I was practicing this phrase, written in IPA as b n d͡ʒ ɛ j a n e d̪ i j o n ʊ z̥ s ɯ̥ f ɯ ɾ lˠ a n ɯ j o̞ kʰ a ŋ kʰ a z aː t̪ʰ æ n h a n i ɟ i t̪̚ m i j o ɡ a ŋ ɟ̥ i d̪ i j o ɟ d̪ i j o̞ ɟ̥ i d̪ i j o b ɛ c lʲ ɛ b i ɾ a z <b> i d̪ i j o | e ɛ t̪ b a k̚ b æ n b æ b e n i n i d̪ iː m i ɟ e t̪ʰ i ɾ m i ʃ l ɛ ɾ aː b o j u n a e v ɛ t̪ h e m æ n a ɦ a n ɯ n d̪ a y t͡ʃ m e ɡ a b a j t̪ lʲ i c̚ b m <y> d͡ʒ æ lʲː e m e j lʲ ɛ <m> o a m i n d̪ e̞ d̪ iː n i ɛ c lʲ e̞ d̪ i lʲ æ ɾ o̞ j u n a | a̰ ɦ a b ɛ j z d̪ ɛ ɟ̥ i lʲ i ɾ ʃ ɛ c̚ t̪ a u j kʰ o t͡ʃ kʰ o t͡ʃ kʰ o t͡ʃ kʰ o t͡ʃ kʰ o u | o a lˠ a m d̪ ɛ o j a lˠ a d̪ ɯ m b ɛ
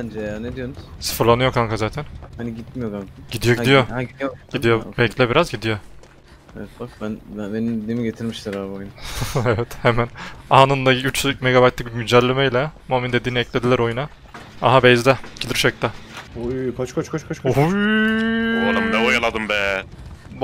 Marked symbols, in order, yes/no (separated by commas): no, yes, yes